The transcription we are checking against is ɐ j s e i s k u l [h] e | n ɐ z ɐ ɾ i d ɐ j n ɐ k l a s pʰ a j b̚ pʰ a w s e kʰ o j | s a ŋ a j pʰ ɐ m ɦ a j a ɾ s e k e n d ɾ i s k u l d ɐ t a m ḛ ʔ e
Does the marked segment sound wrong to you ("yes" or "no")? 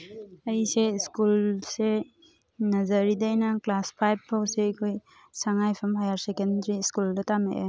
yes